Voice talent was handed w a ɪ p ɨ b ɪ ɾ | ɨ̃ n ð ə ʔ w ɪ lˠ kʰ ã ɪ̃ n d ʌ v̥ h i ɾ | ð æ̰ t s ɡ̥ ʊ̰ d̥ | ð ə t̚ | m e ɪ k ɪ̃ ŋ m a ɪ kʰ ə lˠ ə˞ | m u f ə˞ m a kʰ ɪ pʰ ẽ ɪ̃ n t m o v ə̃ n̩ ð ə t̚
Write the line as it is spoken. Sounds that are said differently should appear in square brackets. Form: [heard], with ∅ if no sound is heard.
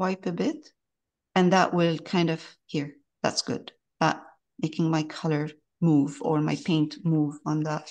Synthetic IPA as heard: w a ɪ p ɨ b ɪ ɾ | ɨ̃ n ð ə ʔ w ɪ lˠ kʰ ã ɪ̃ n d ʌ v̥ h i [ɹ] | ð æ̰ t s ɡ̥ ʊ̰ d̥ | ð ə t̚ | m e ɪ k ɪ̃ ŋ m a ɪ kʰ [ʌ] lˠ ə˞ | m u [v] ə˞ m a [∅] ɪ pʰ ẽ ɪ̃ n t m [u] v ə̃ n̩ ð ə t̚